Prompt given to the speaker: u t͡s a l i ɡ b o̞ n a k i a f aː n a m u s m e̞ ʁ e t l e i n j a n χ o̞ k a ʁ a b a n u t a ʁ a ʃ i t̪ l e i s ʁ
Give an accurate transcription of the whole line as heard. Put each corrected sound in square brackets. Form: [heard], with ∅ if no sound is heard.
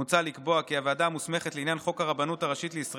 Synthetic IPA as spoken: u t͡s a l i [k] b o̞ [∅] a k i a [v] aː [d] a m u s m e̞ [χ] e t l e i n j a n χ o̞ k a ʁ a b a n u t a ʁ a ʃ i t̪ l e i s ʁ